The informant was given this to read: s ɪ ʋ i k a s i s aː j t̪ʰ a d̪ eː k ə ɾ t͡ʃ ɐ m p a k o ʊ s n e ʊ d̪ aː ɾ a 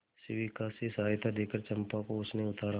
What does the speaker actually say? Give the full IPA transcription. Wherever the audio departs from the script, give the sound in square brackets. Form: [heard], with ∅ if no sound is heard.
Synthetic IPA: s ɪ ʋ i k a s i s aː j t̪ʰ a d̪ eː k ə ɾ t͡ʃ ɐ m p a k o ʊ s n e ʊ [t̪] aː ɾ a

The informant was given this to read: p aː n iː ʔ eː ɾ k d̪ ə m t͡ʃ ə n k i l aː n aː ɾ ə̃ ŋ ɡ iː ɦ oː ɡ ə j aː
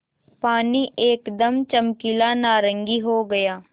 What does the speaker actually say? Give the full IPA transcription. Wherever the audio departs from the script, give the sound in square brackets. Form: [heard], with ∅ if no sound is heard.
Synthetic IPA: p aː n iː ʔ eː [∅] k d̪ ə m t͡ʃ ə [m] k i l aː n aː ɾ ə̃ ŋ ɡ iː ɦ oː ɡ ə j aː

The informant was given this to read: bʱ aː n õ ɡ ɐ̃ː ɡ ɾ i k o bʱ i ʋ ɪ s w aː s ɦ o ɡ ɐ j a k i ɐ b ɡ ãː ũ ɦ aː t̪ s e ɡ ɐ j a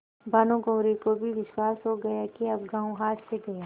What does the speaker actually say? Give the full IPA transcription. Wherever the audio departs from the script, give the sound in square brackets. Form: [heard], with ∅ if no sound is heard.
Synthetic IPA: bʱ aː n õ ɡ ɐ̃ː [∅] ɾ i k o bʱ i ʋ ɪ [ʃ] w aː s ɦ o ɡ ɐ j a k i ɐ b ɡ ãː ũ ɦ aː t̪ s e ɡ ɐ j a

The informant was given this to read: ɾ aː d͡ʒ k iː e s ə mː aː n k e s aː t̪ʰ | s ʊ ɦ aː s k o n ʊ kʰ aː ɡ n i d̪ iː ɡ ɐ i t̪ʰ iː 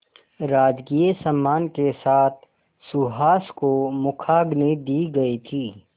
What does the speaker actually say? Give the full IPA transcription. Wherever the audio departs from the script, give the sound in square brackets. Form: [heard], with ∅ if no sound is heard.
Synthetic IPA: ɾ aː d͡ʒ k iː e s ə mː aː n k e s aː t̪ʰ | s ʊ ɦ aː s k o [m] ʊ kʰ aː ɡ n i d̪ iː ɡ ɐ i t̪ʰ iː

